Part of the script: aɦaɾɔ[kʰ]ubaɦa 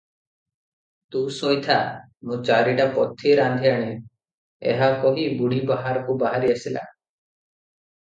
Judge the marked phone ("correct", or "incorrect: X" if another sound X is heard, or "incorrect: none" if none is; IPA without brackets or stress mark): incorrect: k